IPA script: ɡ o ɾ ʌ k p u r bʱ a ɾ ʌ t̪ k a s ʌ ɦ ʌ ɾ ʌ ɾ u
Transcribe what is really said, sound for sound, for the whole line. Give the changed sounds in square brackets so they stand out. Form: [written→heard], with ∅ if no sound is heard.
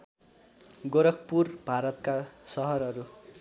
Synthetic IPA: ɡ o ɾ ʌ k p u r bʱ a ɾ ʌ t̪ k a s ʌ ɦ ʌ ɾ ʌ ɾ u

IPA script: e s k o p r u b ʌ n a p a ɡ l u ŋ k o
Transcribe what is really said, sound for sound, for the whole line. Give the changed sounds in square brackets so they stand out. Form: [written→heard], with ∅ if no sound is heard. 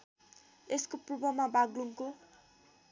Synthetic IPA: e s k o p r u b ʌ [n→m] a [p→b] a ɡ l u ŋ k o

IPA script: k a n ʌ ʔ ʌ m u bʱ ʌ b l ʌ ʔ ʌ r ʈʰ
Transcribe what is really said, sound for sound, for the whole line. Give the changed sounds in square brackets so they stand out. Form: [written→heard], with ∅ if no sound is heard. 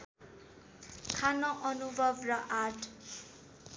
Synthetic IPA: [k→kʰ] a n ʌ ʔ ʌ [m→n] u bʱ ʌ b [l→r] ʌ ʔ [ʌ→a] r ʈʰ

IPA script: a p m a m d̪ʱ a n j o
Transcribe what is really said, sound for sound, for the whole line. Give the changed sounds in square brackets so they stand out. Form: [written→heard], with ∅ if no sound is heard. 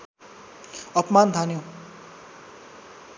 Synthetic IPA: [a→ʌ] p m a [m→n] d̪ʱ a n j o

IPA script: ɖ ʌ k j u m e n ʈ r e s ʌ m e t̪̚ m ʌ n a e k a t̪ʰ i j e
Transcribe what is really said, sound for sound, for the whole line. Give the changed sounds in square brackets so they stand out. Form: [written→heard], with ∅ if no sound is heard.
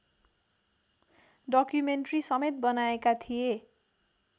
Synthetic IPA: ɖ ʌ k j u m e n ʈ r [e→i] s ʌ m e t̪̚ [m→b] ʌ n a e k a t̪ʰ i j e

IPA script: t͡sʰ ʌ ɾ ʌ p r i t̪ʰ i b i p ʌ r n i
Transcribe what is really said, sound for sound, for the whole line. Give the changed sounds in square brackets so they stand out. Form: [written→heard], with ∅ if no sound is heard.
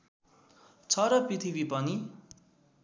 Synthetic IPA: t͡sʰ ʌ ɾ ʌ p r i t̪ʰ i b i p ʌ [r→∅] n i

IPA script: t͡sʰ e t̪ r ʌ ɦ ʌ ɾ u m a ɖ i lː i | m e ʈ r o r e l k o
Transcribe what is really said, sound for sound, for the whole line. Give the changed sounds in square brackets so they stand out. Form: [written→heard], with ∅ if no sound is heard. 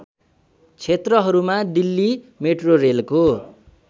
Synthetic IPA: t͡sʰ e t̪ r ʌ ɦ ʌ ɾ u m a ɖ i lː i | m e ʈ r o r e l k o

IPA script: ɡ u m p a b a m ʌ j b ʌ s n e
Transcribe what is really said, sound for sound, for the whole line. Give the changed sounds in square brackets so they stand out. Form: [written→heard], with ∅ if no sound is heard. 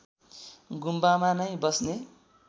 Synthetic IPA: ɡ u m [p→b] a [b→m] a [m→n] ʌ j b ʌ s n e

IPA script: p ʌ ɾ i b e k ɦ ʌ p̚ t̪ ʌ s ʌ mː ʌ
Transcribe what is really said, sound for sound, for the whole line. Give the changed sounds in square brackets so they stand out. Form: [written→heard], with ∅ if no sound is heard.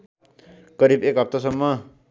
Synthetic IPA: [p→k] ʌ ɾ i b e k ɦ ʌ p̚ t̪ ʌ s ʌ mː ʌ

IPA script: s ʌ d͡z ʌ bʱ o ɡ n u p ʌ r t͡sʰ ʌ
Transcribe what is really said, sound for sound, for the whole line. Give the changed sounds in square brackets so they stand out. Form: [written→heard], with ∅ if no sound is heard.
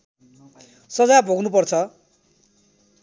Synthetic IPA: s ʌ d͡z [ʌ→a] bʱ o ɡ n u p ʌ r t͡sʰ ʌ

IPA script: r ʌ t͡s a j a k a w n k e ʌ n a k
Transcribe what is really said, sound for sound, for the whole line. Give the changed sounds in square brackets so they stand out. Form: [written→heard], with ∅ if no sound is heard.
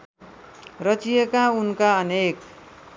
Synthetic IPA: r ʌ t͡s [a→i] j [a→e] k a [w→u] n k [e→a] ʌ n [a→e] k

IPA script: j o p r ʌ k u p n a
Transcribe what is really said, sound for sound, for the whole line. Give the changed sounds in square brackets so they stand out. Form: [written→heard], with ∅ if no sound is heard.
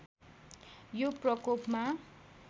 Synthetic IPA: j o p r ʌ k [u→o] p [n→m] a

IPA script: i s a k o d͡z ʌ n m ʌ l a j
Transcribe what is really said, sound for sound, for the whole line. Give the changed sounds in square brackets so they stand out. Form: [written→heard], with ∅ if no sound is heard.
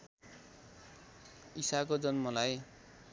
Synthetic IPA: i s a k o d͡z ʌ n m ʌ l a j

